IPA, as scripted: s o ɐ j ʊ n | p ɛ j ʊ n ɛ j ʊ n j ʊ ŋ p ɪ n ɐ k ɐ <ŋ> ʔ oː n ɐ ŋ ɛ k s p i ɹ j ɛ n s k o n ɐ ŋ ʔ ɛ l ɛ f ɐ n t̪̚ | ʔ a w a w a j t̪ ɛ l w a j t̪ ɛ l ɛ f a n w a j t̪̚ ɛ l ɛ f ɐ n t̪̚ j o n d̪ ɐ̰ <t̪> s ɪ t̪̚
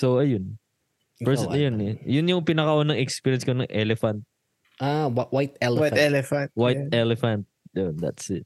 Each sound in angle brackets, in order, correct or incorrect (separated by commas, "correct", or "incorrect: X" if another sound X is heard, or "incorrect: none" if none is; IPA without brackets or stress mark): incorrect: none, correct